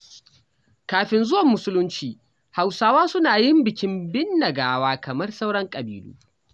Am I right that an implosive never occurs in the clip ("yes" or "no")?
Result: yes